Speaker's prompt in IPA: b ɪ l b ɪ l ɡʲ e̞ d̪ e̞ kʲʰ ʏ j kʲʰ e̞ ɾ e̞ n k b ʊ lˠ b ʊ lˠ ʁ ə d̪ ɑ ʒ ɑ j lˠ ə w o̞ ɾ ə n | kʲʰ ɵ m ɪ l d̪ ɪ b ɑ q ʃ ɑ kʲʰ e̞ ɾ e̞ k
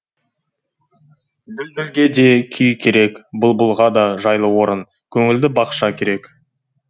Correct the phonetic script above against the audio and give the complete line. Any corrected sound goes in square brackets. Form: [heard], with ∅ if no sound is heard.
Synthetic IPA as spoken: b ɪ l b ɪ l ɡʲ e̞ d̪ e̞ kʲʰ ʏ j kʲʰ e̞ ɾ e̞ [∅] k b ʊ lˠ b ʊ lˠ ʁ [ɑ] d̪ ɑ ʒ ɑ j lˠ ə w o̞ ɾ ə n | kʲʰ ɵ [ŋ] ɪ l d̪ ɪ b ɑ q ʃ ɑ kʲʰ e̞ ɾ e̞ k

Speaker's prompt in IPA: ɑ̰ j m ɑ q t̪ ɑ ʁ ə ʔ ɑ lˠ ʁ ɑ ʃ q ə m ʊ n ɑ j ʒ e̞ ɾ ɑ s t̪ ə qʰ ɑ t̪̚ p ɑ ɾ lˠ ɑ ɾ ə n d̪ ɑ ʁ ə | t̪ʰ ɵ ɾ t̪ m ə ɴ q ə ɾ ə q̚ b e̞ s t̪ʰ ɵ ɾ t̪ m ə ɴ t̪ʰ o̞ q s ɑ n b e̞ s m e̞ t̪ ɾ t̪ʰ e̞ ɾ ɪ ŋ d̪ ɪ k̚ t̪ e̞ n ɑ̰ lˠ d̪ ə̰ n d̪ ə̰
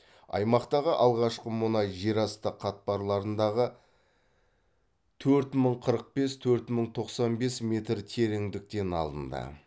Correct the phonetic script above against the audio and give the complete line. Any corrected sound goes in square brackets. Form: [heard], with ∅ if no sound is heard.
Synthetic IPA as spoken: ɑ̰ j m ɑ q t̪ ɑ ʁ ə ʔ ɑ lˠ ʁ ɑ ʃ q ə m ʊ n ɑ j ʒ e̞ ɾ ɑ s t̪ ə qʰ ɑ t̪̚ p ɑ ɾ lˠ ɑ ɾ ə n d̪ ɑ ʁ ə | t̪ʰ ɵ ɾ t̪ m ə ɴ [qʰ] ə ɾ ə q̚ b e̞ s t̪ʰ ɵ ɾ t̪ m ə ɴ t̪ʰ o̞ q s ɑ n b e̞ s m e̞ t̪ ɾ t̪ʰ e̞ ɾ ɪ ŋ d̪ ɪ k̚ t̪ e̞ n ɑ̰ lˠ d̪ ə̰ n d̪ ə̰

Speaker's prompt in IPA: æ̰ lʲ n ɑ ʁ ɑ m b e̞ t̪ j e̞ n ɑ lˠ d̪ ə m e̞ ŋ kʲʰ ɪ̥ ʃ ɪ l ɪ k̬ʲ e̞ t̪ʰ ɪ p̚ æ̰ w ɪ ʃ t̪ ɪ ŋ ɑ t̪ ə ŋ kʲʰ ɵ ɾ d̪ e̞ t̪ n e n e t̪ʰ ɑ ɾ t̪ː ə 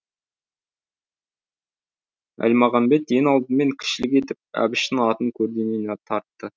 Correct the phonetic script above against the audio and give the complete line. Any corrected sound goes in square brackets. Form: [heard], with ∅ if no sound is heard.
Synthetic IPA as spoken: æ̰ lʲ [m] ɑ ʁ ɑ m b e̞ t̪ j e̞ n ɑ lˠ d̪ ə m e̞ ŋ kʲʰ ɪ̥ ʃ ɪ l ɪ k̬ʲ e̞ [t̪] ɪ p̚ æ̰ [b] ɪ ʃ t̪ ɪ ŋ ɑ t̪ ə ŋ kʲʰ ɵ ɾ d̪ e̞ [∅] n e n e t̪ʰ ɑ ɾ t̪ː ə

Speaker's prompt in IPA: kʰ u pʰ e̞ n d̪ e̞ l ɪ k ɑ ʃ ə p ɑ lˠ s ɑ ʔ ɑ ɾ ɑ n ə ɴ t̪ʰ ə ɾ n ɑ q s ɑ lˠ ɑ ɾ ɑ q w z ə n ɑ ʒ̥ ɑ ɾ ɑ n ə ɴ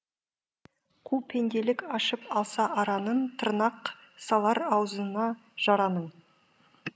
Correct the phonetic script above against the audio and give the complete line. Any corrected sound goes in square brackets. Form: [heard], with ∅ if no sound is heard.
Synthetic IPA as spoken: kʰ u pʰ e̞ n d̪ e̞ l ɪ k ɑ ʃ ə p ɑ lˠ s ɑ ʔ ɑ ɾ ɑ n ə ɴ t̪ʰ ə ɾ n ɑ q s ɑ lˠ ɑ ɾ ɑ [∅] w z ə n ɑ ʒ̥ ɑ ɾ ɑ n ə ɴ

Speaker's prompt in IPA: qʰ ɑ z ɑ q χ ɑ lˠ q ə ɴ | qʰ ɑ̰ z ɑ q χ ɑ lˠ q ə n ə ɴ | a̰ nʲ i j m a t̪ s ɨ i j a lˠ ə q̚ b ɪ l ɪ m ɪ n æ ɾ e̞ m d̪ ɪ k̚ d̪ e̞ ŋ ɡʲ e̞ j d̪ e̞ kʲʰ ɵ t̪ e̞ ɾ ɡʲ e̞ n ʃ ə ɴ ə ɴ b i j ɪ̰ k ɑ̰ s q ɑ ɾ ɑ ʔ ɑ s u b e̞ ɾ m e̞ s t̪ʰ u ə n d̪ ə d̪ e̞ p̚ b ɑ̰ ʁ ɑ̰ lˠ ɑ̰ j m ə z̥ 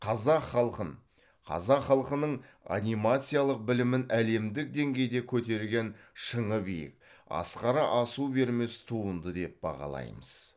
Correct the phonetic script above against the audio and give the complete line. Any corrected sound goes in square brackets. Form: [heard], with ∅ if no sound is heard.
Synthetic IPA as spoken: qʰ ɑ z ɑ q χ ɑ lˠ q ə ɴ | qʰ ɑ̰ z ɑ q χ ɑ lˠ q ə n ə ɴ | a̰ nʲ i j m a t̪ s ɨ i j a lˠ ə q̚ b ɪ l ɪ m ɪ n æ [l] e̞ m d̪ ɪ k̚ d̪ e̞ ŋ ɡʲ e̞ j d̪ e̞ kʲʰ ɵ t̪ e̞ ɾ ɡʲ e̞ n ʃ ə ɴ ə [∅] b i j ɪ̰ k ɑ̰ s q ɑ ɾ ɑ ʔ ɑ s u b e̞ ɾ m e̞ s t̪ʰ u ə n d̪ ə d̪ e̞ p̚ b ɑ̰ ʁ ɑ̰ lˠ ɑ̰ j m ə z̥

